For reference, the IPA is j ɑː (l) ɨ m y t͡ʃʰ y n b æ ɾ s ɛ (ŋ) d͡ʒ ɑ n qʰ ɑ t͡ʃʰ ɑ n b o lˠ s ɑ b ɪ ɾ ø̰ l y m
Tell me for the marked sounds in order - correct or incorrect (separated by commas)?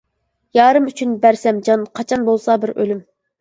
incorrect, incorrect